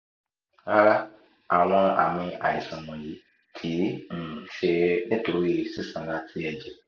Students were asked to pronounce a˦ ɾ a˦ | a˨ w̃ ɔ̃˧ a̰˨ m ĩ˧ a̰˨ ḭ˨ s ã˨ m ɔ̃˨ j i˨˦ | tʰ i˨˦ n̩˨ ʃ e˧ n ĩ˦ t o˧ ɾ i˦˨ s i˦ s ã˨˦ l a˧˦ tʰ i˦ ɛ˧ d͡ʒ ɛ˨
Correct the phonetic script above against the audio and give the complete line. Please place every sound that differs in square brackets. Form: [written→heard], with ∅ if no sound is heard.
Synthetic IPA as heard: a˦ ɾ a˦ | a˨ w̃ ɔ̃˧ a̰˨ m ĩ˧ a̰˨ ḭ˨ s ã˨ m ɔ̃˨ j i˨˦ | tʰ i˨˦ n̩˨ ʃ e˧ n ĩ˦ t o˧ ɾ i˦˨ s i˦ s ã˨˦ l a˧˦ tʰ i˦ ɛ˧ d͡ʒ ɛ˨